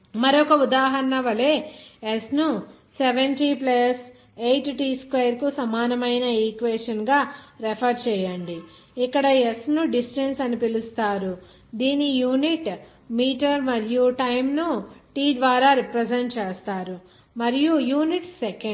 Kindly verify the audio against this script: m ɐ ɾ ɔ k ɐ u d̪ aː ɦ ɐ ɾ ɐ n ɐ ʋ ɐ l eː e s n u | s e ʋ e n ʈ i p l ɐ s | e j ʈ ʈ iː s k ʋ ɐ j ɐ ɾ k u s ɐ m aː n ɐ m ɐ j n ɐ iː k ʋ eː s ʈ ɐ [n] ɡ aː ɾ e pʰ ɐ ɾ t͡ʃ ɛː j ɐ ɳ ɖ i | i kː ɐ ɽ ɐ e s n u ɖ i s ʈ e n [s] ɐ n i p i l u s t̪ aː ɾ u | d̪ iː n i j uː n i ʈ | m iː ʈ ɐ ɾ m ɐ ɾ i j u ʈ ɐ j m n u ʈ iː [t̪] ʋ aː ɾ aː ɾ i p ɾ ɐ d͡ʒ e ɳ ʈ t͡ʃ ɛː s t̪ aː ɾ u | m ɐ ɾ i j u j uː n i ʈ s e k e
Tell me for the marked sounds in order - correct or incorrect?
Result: correct, correct, incorrect: d̪

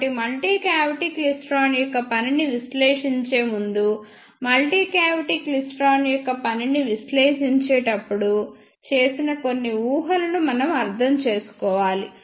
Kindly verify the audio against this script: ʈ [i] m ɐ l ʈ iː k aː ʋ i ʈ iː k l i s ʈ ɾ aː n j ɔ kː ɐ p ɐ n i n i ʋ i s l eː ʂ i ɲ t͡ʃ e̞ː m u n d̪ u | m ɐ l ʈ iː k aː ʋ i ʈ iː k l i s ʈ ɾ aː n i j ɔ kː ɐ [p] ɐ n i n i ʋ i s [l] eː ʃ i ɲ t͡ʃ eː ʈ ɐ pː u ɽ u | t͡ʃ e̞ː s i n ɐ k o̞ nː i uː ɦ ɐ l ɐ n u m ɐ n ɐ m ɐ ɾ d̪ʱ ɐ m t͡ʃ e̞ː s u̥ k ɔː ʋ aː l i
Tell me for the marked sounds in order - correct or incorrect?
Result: correct, correct, correct

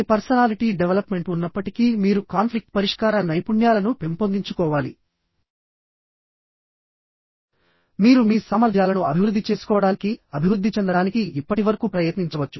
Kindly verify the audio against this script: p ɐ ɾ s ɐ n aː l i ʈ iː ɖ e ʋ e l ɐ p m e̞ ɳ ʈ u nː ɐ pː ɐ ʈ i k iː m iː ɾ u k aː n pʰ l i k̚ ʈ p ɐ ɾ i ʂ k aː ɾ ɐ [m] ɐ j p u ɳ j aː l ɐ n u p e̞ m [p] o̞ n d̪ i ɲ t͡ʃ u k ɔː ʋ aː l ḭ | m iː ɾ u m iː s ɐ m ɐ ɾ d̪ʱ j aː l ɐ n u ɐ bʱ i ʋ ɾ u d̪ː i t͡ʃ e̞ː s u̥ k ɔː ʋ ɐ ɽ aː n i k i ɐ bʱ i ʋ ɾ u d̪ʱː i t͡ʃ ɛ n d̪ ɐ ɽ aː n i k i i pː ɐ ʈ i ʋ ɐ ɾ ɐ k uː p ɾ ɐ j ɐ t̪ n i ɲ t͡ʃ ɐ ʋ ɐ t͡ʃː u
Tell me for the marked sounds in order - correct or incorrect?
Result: incorrect: n, correct

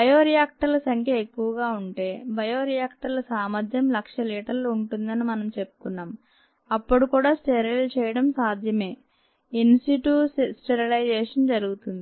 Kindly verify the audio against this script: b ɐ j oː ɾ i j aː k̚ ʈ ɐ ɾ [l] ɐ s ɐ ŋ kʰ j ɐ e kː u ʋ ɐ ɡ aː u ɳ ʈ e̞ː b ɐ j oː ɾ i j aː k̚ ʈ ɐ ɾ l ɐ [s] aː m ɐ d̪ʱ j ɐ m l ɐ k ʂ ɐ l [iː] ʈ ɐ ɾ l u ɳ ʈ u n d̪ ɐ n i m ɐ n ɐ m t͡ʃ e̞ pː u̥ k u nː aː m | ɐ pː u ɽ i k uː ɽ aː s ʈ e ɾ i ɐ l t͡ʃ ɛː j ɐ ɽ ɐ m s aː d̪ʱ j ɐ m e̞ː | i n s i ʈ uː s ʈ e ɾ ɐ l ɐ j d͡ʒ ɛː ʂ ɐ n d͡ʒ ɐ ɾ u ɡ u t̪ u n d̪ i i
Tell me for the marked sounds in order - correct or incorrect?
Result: correct, correct, correct

